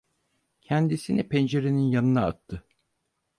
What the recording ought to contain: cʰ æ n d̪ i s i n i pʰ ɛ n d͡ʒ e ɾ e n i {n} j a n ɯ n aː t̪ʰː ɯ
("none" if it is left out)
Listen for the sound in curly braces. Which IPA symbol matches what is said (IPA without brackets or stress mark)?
n